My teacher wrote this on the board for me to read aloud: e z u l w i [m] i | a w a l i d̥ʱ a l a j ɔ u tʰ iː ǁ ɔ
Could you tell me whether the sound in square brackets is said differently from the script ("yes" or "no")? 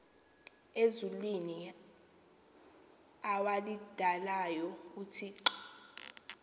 yes